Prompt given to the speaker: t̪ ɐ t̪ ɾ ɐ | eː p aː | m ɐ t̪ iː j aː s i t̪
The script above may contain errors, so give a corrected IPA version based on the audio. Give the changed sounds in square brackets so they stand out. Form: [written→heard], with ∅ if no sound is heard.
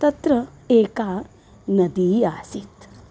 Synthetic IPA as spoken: t̪ ɐ t̪ ɾ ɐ | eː [p→k] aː | [m→n] ɐ [t̪→d̪] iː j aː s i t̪